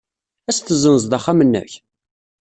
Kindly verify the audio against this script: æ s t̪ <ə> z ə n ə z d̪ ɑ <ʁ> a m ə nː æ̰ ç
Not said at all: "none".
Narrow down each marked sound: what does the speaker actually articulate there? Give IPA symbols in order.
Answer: ə, χ

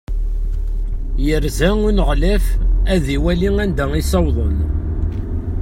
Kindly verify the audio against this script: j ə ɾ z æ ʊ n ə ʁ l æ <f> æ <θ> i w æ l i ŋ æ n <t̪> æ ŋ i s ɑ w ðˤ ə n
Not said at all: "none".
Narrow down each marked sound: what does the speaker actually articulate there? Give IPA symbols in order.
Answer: f, ð, d̪

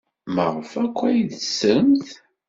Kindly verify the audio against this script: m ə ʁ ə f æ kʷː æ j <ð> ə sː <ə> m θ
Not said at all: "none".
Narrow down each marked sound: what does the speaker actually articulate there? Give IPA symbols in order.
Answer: ð, ə

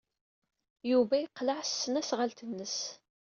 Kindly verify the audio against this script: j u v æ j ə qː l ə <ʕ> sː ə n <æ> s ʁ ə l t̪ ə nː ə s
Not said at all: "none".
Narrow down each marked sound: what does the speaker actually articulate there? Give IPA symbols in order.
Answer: ʕ, æ

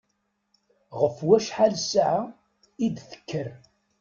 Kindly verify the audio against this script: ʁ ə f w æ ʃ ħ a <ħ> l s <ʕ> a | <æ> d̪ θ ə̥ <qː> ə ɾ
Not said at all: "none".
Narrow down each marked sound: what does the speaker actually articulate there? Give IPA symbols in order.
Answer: none, ʕ, i, kː

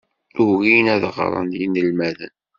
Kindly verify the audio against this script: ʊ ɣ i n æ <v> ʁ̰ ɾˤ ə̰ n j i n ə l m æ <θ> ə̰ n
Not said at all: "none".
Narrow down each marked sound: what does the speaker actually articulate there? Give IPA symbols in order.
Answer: ð, ð

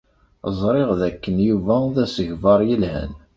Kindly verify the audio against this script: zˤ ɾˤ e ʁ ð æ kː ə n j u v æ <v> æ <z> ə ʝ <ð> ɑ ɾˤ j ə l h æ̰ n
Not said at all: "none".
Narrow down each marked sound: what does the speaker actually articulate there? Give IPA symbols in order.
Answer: ð, s, v

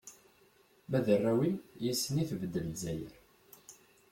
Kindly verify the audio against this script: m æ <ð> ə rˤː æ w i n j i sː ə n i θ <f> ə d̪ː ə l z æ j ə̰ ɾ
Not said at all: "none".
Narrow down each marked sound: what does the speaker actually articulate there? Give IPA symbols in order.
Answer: ð, v

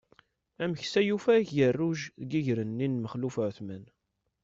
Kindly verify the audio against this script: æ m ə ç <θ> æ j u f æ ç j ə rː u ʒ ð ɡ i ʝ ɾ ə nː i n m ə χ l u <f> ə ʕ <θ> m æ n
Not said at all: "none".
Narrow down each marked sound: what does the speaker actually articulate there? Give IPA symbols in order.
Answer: s, f, θ

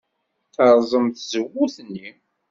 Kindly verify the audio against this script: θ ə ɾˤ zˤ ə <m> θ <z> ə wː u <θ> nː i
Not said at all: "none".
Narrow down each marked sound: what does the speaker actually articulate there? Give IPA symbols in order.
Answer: m, z, θ

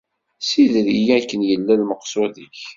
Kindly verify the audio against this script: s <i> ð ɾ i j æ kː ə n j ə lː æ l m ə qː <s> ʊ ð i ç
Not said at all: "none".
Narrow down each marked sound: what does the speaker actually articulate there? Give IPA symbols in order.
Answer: i, s

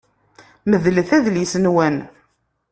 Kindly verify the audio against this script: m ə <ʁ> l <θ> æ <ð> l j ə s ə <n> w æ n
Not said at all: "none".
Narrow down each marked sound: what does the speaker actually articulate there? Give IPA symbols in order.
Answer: ð, θ, ð, n

